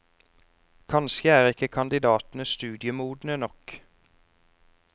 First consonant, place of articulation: velar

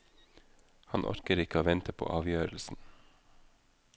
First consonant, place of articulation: glottal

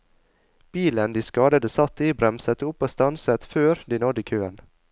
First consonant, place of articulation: labial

